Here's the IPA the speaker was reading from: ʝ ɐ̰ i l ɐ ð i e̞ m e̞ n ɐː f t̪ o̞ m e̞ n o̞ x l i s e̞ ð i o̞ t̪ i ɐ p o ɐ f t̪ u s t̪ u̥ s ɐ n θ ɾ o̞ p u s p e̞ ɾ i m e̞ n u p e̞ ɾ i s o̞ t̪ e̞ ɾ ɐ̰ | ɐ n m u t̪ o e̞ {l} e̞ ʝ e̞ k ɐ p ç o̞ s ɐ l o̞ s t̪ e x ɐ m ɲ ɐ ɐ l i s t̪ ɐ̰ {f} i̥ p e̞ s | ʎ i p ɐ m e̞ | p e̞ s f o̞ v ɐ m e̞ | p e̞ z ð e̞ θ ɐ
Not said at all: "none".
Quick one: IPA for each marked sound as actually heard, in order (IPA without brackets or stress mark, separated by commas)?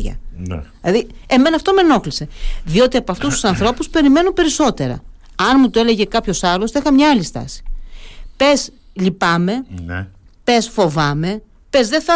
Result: l, s